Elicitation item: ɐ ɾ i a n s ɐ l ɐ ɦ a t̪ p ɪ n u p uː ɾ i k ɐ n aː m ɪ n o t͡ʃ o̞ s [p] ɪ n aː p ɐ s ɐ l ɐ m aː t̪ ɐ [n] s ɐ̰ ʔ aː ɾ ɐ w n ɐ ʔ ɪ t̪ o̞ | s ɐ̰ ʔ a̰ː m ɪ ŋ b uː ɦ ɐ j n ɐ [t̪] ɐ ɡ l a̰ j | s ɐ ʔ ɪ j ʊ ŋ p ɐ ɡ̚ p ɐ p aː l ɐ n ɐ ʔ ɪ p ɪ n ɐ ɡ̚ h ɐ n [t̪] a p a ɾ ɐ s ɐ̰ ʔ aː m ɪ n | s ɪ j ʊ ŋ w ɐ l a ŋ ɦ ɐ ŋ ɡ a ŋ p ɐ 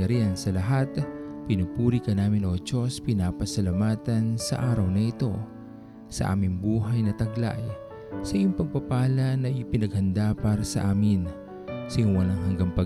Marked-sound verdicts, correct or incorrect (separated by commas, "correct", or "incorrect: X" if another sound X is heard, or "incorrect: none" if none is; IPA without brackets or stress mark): correct, correct, correct, incorrect: d̪